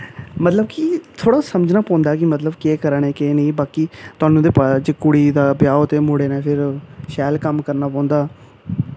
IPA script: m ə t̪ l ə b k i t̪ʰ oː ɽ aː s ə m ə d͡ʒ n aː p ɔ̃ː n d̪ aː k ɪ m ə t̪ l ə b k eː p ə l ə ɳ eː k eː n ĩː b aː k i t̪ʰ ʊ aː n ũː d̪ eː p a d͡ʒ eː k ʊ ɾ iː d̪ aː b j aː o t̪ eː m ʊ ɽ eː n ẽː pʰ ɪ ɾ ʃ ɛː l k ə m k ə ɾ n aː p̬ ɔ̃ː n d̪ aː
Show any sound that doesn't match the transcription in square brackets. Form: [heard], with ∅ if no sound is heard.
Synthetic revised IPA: m ə t̪ l ə b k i t̪ʰ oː ɽ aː s ə m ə d͡ʒ n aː p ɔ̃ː n d̪ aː k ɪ m ə t̪ l ə b k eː [k] ə [ɾ] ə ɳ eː k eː n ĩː b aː k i [t̪] ʊ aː n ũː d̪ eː p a d͡ʒ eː k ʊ [ɽ] iː d̪ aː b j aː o t̪ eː m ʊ ɽ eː n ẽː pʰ ɪ ɾ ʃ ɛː l k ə m k ə ɾ n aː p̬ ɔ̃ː n d̪ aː